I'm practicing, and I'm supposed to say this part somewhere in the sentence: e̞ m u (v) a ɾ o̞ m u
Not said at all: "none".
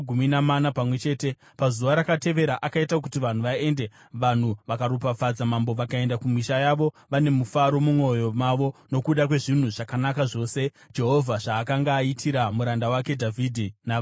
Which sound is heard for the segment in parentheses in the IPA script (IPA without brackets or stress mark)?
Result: f